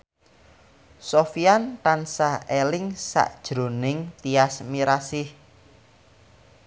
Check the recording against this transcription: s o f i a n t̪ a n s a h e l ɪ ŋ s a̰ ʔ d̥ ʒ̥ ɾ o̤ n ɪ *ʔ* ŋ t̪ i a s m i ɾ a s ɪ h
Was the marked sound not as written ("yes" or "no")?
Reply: yes